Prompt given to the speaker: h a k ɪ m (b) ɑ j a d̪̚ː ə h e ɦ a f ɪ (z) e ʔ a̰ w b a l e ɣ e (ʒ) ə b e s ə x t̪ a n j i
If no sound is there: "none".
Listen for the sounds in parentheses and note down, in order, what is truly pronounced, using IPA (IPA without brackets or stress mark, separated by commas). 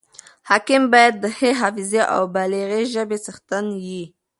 b, z, ʒ